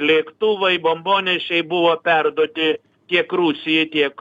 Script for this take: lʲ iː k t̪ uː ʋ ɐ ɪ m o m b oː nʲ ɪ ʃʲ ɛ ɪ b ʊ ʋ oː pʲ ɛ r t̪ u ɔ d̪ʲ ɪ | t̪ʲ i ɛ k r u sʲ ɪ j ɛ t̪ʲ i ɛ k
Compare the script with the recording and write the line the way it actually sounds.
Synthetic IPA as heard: lʲ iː k t̪ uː ʋ ɐ ɪ b o m b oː nʲ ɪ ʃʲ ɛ ɪ b ʊ ʋ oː pʲ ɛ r d̪ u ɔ t̪ʲ ɪ | t̪ʲ i ɛ k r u sʲ ɪ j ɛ t̪ʲ i ɛ k